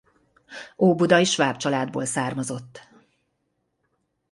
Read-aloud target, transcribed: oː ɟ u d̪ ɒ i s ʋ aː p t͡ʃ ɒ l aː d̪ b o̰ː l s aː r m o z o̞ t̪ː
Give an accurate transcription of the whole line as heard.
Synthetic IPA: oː b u d̪ ɒ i ʃ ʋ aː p t͡ʃ ɒ l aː d̪ b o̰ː l s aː r m ɒ z o̞ t̪ː